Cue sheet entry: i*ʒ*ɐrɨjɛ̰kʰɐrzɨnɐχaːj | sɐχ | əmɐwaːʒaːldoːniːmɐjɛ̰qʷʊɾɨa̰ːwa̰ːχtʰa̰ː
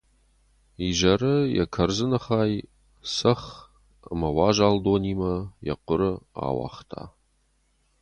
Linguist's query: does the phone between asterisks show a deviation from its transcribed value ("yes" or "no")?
no